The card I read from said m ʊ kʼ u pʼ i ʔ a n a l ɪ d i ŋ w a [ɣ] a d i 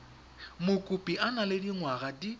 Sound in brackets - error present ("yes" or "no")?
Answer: no